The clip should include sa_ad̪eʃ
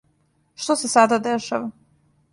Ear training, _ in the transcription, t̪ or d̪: d̪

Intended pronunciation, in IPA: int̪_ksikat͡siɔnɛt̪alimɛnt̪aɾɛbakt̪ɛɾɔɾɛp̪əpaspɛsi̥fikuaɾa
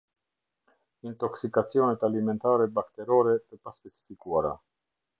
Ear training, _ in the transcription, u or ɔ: ɔ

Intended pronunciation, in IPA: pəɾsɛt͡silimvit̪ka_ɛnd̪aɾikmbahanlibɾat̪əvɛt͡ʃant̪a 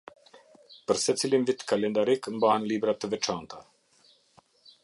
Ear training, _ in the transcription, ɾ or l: l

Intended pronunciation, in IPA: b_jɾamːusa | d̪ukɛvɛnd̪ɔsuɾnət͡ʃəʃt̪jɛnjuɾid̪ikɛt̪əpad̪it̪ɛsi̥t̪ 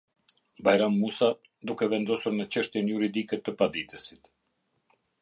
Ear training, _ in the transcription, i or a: a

